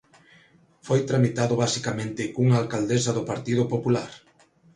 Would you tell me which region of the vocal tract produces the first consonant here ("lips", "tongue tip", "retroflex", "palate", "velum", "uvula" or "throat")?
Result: lips